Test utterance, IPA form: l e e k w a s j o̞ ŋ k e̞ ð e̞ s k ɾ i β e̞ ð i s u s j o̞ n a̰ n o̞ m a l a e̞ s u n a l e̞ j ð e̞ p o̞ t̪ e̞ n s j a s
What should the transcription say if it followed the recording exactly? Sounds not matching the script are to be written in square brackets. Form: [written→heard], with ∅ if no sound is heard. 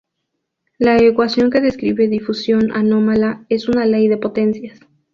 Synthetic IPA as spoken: l [e→a] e k w a s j o̞ ŋ k e̞ ð e̞ s k ɾ i β e̞ ð i [s→f] u s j o̞ n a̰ n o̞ m a l a e̞ s u n a l e̞ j ð e̞ p o̞ t̪ e̞ n s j a s